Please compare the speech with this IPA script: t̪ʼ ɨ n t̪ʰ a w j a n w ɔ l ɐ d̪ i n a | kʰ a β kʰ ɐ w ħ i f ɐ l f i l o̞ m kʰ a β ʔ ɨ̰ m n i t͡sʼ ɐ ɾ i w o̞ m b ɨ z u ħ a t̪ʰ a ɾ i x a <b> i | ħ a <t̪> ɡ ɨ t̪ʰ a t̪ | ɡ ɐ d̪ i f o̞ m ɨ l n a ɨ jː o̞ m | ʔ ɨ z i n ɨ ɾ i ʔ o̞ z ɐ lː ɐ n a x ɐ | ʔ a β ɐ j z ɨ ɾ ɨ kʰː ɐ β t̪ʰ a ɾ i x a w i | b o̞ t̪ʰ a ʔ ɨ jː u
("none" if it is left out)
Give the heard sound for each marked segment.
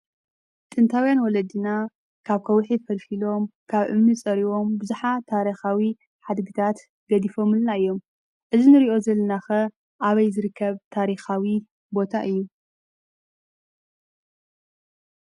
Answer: w, d̪

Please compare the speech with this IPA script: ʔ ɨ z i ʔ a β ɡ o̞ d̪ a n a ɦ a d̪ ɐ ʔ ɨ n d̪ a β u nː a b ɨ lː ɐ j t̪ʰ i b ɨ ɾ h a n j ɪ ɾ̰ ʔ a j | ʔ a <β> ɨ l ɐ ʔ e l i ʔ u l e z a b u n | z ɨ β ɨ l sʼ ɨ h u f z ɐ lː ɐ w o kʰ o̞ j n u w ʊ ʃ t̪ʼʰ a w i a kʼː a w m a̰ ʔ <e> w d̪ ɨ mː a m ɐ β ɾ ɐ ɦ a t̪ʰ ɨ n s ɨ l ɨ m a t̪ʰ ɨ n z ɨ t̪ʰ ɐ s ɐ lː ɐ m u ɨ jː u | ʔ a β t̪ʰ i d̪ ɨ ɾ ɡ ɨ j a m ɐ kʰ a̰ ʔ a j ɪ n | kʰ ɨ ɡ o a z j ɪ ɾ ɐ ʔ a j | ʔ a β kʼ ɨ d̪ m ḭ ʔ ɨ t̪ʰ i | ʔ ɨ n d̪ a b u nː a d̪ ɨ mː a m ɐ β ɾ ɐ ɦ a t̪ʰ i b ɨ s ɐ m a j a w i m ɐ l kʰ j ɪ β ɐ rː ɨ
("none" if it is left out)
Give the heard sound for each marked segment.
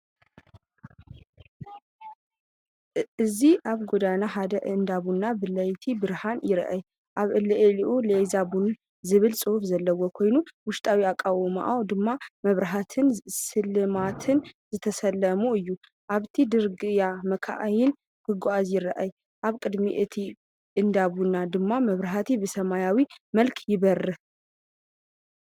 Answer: β, a

